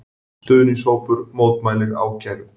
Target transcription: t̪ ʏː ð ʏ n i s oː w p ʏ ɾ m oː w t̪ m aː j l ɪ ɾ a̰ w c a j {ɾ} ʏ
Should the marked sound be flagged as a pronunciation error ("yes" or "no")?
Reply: no